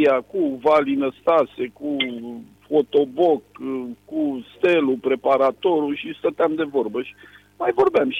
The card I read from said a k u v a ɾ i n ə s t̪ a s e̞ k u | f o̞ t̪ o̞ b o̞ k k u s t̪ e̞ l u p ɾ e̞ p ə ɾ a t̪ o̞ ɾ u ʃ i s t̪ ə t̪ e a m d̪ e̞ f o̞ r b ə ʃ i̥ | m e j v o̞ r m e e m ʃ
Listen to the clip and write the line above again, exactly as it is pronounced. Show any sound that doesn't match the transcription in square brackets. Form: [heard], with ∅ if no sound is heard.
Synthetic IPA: a k u v a [l] i n ə s t̪ a s e̞ k u | f o̞ t̪ o̞ b o̞ k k u s t̪ e̞ l u p ɾ e̞ p [a] ɾ a t̪ o̞ ɾ u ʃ i s t̪ ə t̪ e a m d̪ e̞ [v] o̞ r b ə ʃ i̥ | m [a] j v o̞ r [b] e [a] m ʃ